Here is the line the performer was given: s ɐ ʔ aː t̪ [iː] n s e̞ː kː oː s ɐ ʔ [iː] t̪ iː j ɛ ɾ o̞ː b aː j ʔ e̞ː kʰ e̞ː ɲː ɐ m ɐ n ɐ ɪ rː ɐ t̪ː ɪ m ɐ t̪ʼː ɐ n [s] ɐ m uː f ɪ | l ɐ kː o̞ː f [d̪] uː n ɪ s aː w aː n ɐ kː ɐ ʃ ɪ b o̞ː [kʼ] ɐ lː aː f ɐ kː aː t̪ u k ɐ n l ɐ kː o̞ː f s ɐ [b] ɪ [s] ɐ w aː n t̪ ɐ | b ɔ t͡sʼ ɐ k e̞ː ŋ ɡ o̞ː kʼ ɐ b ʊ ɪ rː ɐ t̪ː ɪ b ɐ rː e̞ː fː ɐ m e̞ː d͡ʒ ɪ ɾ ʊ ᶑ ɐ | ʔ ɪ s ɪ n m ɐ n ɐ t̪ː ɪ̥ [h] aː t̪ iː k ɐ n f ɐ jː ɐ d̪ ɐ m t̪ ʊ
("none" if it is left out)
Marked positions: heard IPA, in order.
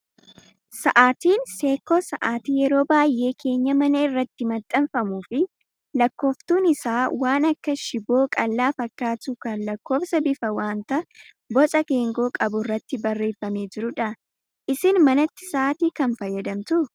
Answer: iː, aː, f, t̪, kʼ, b, f, s

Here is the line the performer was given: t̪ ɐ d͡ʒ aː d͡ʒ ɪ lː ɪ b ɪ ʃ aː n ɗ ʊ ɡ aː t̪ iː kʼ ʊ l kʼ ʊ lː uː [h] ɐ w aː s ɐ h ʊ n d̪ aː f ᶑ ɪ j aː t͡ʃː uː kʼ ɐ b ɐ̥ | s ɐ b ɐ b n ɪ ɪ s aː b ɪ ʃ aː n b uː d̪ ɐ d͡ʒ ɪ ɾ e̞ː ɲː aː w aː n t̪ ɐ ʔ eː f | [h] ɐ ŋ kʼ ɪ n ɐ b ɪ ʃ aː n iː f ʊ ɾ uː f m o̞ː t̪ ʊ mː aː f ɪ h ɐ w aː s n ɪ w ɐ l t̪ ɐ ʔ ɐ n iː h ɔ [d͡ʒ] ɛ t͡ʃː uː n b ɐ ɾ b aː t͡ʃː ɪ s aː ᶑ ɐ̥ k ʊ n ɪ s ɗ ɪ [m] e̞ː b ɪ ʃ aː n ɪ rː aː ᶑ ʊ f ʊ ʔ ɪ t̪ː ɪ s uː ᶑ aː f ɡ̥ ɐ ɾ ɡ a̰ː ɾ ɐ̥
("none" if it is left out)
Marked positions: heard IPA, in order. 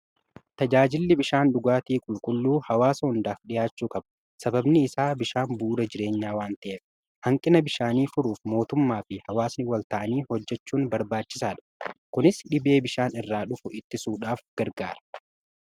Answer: h, h, d͡ʒː, b

